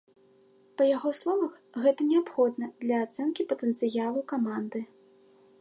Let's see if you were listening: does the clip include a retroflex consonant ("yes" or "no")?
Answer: no